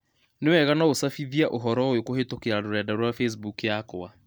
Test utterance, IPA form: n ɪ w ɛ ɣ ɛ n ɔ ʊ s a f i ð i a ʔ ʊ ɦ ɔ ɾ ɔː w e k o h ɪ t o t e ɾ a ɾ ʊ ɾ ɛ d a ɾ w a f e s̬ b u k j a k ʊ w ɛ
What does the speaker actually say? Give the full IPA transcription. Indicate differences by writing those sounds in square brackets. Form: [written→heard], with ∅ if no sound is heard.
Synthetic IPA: n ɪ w ɛ ɣ [ɛ→a] n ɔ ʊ s a f i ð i a ʔ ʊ ɦ ɔ ɾ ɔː w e k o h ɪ t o [t→k] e ɾ a ɾ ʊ ɾ ɛ d a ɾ w a f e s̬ b u k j a k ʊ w [ɛ→a]